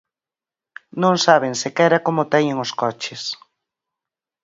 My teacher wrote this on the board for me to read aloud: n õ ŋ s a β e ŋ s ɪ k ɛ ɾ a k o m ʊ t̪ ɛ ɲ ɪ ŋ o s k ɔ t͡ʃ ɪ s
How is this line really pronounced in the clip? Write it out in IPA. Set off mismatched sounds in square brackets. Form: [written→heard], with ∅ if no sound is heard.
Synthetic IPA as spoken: n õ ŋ s a β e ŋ s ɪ k ɛ ɾ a k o m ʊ t̪ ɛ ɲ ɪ ŋ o s k ɔ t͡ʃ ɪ s